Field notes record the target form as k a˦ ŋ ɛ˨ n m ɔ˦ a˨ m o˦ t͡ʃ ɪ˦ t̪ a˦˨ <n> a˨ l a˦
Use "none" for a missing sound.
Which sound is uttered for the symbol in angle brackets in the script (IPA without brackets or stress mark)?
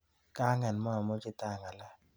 ŋ